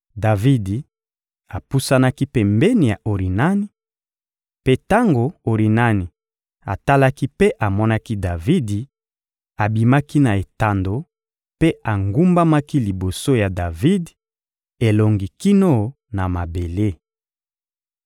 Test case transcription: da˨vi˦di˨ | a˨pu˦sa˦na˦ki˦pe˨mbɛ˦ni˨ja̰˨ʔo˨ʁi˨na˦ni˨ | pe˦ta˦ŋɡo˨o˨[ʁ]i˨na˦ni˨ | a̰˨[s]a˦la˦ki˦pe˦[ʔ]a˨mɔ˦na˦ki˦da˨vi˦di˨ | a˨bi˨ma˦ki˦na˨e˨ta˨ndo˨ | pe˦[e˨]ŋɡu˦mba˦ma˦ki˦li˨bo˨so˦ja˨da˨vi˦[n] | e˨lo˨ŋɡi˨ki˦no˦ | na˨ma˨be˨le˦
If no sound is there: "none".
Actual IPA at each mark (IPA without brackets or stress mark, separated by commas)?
ʁ, t, ʔ, a˨, d